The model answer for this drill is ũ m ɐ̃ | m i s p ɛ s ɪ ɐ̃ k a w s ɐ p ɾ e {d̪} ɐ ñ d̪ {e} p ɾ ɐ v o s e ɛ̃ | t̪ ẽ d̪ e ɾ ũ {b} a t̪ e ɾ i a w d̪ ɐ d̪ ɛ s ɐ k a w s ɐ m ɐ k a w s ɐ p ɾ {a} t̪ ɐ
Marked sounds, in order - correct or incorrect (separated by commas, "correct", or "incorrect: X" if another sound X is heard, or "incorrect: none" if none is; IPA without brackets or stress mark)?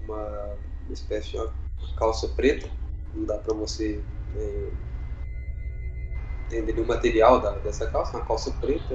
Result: incorrect: t̪, incorrect: a, incorrect: m, incorrect: e